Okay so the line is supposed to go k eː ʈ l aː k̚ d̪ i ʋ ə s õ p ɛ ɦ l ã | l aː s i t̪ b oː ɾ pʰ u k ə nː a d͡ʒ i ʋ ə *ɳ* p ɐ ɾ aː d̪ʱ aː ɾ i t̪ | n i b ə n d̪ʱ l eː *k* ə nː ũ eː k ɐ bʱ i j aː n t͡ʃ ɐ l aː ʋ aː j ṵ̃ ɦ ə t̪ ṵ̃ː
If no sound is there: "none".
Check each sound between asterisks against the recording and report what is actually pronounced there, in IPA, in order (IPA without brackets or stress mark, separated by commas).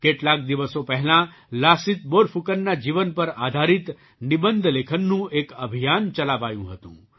n, kʰ